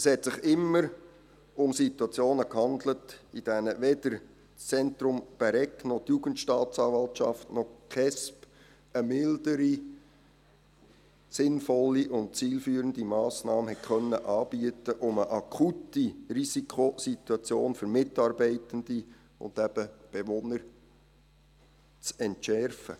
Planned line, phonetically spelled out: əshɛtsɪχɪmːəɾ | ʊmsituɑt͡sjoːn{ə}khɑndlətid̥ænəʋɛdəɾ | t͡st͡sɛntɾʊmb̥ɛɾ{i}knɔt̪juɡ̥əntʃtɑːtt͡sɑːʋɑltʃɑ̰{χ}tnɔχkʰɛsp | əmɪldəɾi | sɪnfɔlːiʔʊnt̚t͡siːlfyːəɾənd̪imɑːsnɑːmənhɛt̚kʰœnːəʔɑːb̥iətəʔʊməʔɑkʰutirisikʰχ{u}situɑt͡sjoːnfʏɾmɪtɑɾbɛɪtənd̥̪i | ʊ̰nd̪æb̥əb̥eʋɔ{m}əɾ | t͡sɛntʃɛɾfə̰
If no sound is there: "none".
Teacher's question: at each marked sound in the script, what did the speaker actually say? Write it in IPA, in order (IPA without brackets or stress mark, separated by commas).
ə, ɛ, f, o, n